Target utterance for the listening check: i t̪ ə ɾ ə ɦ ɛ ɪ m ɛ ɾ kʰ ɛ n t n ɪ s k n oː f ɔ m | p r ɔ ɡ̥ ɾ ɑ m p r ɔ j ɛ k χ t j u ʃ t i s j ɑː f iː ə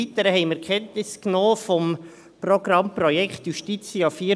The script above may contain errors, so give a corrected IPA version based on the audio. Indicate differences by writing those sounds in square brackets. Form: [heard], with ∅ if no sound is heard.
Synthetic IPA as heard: i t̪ ə ɾ ə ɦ ɛ ɪ m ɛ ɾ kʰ ɛ n t n ɪ s k n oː f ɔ m | p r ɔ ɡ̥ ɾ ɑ m p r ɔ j ɛ k χ t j u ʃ t i [t͡s] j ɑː f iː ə